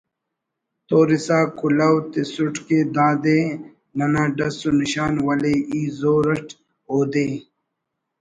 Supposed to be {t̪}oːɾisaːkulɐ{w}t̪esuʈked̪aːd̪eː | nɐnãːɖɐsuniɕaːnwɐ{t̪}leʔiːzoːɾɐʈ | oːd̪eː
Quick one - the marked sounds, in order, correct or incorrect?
correct, correct, incorrect

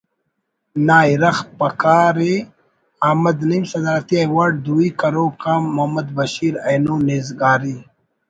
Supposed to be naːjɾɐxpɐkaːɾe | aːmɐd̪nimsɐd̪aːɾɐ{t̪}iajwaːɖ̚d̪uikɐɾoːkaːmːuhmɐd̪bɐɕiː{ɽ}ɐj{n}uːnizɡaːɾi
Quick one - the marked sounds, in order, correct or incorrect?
correct, incorrect, correct

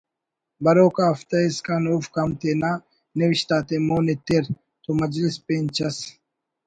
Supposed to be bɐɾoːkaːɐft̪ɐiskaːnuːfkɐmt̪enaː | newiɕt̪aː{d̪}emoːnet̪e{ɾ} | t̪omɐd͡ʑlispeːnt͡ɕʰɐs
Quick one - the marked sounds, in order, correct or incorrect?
incorrect, correct

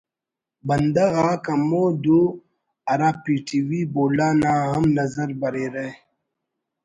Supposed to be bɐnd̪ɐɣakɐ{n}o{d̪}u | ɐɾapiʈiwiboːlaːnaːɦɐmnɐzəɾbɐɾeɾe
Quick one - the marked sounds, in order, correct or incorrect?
incorrect, correct

